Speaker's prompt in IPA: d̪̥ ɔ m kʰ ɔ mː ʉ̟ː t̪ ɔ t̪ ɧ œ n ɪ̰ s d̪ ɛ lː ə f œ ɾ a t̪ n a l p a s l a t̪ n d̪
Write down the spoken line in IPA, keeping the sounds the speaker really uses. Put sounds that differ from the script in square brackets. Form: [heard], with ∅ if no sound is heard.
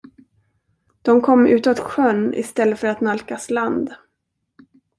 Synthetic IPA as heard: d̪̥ ɔ m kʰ ɔ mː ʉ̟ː t̪ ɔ t̪ ɧ œ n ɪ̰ s [t̪] ɛ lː ə f œ ɾ a t̪ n a l [k] a s l a [∅] n d̪